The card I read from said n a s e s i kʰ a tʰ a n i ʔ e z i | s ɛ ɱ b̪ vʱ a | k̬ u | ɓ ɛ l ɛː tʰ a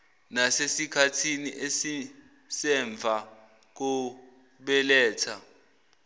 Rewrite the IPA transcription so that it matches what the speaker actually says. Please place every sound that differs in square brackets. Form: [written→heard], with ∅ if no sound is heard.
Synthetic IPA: n a s e s i kʰ a tʰ [a→i] n i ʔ e [z→s] i | s ɛ ɱ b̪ vʱ a | k̬ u | ɓ ɛ l ɛː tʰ a